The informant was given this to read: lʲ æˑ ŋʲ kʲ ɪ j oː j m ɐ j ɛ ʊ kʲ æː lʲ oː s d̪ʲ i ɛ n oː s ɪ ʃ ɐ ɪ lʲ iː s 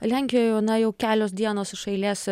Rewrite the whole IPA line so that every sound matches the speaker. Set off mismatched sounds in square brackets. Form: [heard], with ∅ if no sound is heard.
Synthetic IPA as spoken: lʲ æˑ ŋʲ kʲ ɪ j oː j [n] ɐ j ɛ ʊ kʲ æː lʲ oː s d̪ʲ i ɛ n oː s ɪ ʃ ɐ ɪ lʲ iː s